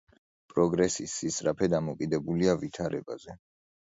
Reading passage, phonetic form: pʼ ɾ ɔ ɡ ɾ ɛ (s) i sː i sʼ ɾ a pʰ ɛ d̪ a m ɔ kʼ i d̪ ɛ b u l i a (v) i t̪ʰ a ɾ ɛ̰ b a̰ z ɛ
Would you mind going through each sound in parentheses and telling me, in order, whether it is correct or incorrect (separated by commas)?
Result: correct, correct